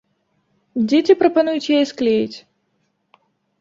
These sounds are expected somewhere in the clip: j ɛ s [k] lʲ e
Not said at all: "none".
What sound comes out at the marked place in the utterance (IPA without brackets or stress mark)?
k